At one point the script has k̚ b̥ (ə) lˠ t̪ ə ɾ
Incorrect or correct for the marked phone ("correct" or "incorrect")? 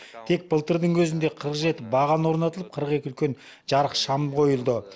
correct